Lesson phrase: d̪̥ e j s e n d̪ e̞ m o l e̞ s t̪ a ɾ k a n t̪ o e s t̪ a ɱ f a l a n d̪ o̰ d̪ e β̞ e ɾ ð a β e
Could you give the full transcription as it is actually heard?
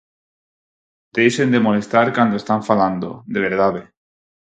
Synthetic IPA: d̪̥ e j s e n d̪ e̞ m o l e̞ s t̪ a ɾ k a n d̪ o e s t̪ a ɱ f a l a n d̪ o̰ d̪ e β̞ e ɾ ð a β e